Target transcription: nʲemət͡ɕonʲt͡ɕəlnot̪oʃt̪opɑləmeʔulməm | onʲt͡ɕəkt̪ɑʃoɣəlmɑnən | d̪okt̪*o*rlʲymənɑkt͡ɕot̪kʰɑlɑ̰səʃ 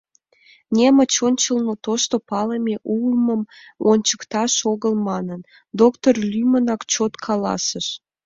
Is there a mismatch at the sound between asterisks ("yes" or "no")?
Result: no